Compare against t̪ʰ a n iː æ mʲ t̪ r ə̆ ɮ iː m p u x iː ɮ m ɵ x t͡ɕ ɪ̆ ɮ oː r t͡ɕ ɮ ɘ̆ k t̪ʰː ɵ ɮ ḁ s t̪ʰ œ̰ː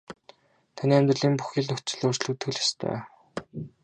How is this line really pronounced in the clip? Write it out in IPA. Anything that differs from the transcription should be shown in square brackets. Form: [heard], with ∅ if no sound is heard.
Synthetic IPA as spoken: t̪ʰ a n iː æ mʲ t̪ r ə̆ ɮ iː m p u x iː ɮ [n] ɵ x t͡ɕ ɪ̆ ɮ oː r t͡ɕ ɮ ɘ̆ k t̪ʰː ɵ ɮ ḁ s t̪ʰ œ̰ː